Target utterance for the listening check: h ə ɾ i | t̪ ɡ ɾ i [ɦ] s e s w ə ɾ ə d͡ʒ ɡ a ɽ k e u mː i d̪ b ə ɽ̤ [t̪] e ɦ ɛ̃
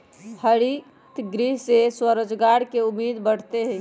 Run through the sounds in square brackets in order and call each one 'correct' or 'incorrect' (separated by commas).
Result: correct, correct